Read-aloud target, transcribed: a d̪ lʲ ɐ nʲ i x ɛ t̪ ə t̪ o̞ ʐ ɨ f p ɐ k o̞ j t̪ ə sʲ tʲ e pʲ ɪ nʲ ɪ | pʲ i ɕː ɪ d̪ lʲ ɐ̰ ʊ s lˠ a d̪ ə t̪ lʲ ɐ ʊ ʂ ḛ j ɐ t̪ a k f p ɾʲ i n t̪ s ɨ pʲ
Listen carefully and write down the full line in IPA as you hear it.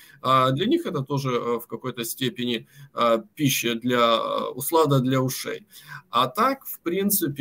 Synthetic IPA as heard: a d̪ lʲ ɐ nʲ i x ɛ t̪ ə t̪ o̞ ʐ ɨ f k ɐ k o̞ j t̪ ə sʲ tʲ e pʲ ɪ nʲ ɪ | pʲ i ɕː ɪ d̪ lʲ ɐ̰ ʊ s lˠ a d̪ ə d̪ lʲ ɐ ʊ ʂ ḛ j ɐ t̪ a k f p ɾʲ i n t̪ s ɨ pʲ

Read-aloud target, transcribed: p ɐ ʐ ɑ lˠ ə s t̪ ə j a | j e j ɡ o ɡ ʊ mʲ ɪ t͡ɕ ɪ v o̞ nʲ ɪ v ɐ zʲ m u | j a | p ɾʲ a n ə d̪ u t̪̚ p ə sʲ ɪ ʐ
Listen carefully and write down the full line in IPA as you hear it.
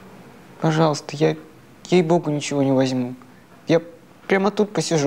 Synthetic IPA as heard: p ɐ ʐ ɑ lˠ ə s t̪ ə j a | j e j b o ɡ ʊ nʲ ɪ t͡ɕ ɪ v o̞ nʲ ɪ v ɐ zʲ m u | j a | p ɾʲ a m ə t̪ u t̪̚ p ə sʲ ɪ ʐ

